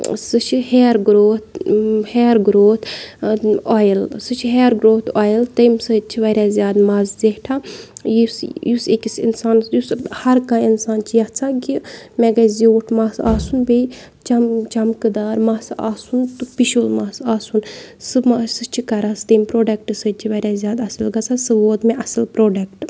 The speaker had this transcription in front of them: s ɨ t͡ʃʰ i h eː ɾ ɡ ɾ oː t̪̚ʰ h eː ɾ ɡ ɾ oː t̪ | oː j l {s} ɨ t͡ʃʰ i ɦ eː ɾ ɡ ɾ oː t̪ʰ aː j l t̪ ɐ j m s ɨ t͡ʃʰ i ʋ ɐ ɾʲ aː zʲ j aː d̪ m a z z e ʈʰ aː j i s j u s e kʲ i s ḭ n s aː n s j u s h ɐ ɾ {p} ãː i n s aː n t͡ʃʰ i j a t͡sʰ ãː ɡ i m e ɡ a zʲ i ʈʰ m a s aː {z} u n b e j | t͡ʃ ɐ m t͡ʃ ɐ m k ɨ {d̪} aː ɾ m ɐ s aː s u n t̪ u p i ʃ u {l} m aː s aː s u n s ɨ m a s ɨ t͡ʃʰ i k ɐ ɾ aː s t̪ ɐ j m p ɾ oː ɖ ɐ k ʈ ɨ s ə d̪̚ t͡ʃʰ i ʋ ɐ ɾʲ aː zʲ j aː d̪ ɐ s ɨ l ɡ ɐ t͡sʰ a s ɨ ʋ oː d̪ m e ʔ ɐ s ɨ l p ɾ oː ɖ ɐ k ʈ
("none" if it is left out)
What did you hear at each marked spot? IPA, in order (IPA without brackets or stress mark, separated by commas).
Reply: s, k, s, d̪, l